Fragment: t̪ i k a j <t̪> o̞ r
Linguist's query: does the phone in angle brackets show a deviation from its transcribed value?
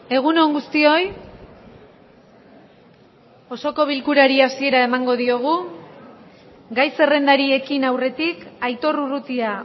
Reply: no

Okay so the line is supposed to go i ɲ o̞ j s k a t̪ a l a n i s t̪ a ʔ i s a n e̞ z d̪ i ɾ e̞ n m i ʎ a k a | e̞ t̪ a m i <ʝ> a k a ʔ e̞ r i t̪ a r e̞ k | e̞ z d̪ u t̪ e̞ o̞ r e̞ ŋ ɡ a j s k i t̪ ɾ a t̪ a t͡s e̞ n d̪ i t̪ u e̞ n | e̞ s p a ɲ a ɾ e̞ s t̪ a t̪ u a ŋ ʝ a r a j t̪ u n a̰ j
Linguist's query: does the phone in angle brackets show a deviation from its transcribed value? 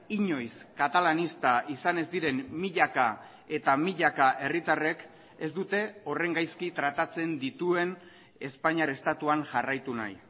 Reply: yes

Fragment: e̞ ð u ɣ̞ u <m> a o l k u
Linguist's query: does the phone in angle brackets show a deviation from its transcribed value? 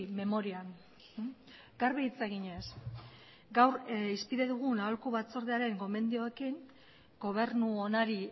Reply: yes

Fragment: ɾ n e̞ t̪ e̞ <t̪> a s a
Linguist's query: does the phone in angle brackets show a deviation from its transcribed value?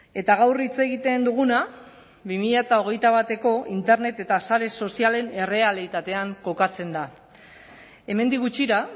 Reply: no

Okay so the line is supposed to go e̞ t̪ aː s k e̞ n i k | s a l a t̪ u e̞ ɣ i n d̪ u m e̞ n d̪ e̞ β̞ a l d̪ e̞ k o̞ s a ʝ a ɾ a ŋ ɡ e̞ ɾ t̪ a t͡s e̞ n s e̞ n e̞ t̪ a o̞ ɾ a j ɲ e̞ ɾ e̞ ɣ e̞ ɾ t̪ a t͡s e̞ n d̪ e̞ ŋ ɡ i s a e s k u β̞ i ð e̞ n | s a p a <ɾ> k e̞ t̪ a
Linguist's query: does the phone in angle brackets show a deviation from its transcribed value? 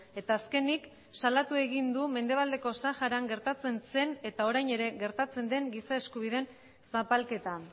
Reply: yes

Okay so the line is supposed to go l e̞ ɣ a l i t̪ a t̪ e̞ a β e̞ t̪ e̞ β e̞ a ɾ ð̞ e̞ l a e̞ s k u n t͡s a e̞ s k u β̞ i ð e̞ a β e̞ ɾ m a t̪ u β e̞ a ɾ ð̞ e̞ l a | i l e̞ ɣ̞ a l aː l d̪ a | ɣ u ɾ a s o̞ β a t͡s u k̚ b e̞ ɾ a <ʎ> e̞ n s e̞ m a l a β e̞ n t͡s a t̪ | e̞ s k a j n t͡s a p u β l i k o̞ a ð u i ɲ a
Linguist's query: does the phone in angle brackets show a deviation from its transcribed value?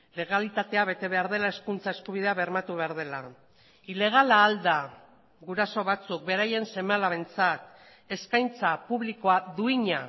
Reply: yes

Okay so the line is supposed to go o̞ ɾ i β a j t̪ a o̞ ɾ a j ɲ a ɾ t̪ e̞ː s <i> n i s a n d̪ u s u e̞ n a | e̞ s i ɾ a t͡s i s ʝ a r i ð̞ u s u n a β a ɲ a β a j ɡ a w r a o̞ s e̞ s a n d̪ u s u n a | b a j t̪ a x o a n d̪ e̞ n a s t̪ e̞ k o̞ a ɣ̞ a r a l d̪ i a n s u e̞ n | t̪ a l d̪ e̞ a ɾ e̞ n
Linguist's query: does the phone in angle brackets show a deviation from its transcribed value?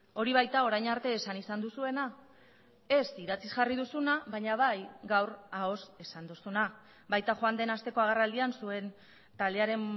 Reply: yes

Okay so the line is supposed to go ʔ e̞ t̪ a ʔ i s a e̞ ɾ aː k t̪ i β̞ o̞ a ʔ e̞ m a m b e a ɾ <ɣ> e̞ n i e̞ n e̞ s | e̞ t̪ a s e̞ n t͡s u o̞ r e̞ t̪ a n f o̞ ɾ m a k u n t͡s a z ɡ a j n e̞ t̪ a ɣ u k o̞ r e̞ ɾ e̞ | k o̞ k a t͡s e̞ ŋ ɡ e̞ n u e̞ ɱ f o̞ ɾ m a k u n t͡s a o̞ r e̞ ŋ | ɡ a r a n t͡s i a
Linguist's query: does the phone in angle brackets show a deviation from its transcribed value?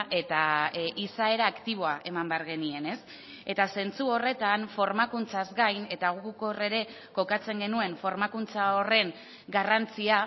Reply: no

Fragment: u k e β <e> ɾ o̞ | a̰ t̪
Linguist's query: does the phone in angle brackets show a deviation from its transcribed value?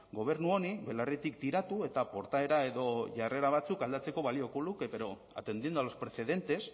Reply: no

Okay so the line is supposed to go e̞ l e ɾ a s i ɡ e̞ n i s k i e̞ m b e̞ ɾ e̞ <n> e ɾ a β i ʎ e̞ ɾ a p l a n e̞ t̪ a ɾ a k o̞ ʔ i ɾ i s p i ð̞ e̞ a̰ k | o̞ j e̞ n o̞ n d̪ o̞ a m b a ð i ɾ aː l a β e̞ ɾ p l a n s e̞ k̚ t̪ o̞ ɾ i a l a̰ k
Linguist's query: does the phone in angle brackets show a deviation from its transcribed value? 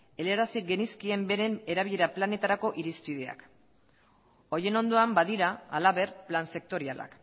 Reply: no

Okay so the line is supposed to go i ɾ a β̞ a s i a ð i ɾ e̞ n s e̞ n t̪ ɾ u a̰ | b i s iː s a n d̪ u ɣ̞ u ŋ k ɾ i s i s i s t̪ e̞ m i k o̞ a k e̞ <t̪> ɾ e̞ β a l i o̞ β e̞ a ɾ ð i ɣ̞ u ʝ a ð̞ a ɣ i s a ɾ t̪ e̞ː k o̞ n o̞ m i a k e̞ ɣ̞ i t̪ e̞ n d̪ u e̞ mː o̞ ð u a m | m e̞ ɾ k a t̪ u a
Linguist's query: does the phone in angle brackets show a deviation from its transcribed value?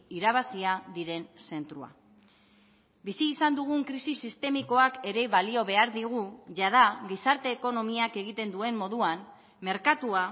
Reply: yes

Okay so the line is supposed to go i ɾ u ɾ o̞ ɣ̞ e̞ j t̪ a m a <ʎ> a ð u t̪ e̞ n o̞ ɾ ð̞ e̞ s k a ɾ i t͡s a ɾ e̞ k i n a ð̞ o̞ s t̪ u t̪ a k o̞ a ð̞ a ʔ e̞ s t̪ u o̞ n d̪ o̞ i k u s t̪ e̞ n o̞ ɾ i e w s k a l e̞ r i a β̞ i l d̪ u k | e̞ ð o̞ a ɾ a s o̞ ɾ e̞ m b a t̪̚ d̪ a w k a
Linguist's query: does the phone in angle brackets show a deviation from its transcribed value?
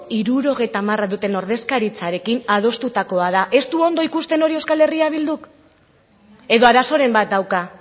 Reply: yes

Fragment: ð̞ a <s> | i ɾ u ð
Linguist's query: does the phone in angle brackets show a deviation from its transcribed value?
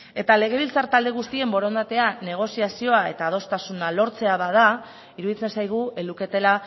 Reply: yes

